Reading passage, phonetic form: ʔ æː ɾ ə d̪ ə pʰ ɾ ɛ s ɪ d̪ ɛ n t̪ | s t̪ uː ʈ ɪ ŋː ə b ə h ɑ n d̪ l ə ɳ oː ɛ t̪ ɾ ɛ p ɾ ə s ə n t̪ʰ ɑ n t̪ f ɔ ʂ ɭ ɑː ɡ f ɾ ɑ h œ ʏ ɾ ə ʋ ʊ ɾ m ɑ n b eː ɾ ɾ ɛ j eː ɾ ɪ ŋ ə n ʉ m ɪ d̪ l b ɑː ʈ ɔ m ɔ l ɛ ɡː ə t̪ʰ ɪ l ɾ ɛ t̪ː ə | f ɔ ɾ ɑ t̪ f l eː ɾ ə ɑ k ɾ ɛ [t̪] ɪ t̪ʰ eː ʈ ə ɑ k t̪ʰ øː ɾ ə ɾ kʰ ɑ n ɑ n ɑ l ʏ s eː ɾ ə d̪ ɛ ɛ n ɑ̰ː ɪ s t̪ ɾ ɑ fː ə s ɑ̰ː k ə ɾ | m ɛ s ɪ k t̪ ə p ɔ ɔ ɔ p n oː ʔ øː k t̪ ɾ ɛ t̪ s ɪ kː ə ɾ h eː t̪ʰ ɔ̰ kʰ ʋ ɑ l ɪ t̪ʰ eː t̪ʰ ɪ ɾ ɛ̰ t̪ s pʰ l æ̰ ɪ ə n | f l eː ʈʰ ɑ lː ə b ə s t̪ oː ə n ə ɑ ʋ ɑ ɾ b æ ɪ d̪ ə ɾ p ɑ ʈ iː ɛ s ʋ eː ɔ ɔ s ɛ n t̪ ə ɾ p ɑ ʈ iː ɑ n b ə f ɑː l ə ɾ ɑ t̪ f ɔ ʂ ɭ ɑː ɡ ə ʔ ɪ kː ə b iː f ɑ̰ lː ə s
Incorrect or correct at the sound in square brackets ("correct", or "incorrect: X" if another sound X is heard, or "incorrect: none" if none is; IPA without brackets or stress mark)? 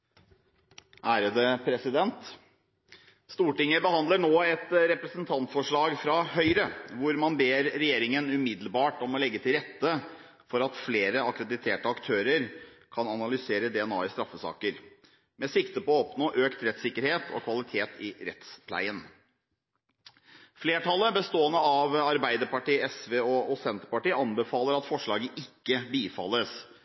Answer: incorrect: d̪